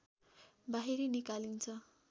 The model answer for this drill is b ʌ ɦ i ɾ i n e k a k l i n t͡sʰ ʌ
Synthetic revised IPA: b a ɦ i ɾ i n i k a l i n t͡sʰ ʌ

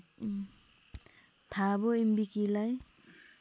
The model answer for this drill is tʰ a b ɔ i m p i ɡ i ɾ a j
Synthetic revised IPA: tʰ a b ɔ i m b i k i l a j

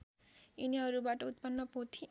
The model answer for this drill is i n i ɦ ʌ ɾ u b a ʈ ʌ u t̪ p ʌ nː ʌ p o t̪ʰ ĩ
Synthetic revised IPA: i n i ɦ ʌ ɾ u b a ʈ ʌ u t̪ p ʌ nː ʌ p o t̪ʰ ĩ

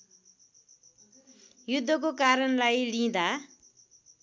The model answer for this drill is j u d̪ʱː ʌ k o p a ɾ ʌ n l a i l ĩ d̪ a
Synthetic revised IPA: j u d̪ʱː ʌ k o k a ɾ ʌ n l a j l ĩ d̪ a

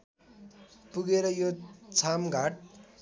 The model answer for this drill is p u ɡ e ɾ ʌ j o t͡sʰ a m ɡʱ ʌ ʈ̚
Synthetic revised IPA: p u ɡ e ɾ ʌ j o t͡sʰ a m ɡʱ a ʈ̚

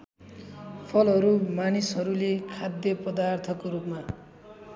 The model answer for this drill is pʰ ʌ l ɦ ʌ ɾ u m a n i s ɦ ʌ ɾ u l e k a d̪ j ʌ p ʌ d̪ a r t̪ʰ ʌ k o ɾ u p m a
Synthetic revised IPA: pʰ ʌ l ɦ ʌ ɾ u m a n i s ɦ ʌ ɾ u l e kʰ a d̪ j ʌ p ʌ d̪ a r t̪ʰ ʌ k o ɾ u p m a

